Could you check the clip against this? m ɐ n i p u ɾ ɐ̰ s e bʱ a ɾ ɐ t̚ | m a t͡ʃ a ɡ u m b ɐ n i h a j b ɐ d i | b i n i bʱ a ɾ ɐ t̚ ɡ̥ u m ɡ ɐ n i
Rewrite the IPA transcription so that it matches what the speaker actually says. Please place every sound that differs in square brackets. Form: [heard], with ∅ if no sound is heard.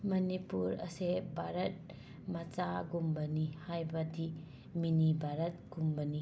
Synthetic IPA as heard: m ɐ n i p u ɾ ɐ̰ s e bʱ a ɾ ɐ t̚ | m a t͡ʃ a ɡ u m b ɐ n i h a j b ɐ d i | [m] i n i bʱ a ɾ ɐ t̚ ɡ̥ u m [b] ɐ n i